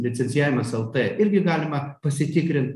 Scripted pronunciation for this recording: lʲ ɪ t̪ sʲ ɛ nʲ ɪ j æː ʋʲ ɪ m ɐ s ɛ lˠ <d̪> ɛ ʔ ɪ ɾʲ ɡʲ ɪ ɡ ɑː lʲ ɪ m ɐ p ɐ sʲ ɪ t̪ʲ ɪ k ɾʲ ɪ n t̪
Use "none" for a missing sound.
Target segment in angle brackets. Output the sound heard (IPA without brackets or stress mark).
t̪